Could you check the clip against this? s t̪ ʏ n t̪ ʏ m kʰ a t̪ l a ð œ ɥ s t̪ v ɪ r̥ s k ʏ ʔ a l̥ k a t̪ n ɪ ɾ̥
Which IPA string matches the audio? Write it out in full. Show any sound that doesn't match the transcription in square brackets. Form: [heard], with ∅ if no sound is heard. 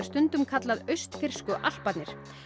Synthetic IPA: s t̪ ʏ n t̪ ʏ m kʰ a t̪ l a ð œ ɥ s t̪ [f] ɪ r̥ s k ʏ ʔ a l̥ [p] a t̪ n ɪ ɾ̥

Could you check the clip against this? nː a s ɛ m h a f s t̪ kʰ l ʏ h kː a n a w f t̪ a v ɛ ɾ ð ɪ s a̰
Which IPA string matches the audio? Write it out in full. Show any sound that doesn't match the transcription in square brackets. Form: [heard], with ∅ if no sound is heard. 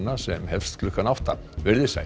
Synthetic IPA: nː a s ɛ m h [ɛ] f s t̪ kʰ l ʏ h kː a n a w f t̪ a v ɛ ɾ ð ɪ s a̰

